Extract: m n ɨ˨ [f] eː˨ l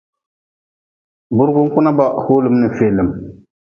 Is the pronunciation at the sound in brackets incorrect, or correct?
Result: correct